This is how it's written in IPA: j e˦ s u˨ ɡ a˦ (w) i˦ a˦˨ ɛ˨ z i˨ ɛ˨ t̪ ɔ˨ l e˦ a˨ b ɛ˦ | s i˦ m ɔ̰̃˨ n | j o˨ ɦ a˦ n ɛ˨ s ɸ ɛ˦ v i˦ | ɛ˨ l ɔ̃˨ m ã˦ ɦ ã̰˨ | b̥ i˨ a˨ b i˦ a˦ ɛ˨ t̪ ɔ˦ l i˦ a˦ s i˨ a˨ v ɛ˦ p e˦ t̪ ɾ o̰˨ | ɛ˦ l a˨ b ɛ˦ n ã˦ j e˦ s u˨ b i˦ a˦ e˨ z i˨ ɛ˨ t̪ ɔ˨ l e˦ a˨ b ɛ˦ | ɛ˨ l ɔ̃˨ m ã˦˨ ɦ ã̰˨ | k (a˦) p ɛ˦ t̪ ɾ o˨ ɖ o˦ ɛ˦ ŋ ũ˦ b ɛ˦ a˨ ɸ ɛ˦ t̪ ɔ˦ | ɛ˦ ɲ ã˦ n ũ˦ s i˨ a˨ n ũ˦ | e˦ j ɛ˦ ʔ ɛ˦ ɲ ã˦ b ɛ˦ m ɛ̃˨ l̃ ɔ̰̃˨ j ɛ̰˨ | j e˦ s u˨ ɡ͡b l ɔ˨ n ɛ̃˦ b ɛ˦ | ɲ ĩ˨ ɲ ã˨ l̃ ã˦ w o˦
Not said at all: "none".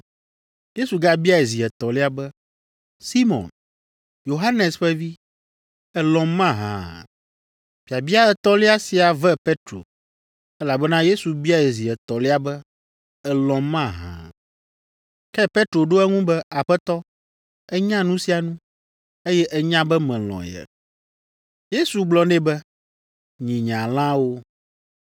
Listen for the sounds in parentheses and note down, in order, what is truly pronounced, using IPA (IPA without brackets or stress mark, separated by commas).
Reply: b, ɛ˦